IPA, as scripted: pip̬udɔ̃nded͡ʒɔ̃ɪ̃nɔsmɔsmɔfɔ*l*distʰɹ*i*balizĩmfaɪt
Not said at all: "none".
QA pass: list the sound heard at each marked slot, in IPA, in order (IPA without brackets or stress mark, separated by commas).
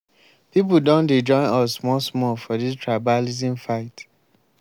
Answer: none, a